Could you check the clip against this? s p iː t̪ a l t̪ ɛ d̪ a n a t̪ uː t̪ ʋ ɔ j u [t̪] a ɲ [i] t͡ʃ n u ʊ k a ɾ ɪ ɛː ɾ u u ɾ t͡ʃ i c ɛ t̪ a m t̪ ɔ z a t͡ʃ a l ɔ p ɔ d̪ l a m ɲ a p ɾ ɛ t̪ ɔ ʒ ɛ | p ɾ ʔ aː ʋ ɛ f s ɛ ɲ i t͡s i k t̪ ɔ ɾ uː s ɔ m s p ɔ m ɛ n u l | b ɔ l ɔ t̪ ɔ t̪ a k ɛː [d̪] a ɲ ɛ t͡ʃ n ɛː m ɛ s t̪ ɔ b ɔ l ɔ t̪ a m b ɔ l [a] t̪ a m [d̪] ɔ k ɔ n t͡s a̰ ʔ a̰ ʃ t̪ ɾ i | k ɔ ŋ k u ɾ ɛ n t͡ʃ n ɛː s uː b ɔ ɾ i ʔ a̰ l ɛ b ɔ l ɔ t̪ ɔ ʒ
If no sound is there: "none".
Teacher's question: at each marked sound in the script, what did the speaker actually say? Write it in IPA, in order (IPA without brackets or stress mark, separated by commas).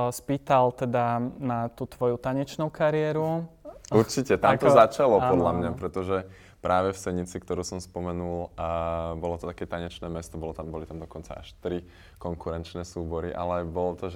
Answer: t̪, ɛ, t̪, i, d̪